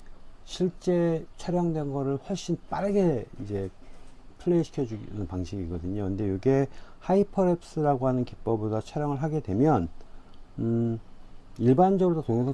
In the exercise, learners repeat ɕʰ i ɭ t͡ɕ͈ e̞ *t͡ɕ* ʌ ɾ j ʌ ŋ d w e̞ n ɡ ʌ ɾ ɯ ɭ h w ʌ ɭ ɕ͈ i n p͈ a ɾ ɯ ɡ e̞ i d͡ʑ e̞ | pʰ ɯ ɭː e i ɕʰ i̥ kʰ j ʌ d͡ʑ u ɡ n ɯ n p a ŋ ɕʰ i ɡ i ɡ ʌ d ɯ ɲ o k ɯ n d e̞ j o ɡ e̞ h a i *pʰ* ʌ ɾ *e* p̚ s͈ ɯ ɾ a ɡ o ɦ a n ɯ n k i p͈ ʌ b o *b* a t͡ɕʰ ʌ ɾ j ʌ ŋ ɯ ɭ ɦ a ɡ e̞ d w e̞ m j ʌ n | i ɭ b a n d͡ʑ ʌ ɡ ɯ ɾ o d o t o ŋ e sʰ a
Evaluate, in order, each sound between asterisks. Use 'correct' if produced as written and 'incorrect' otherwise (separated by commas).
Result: incorrect, correct, correct, incorrect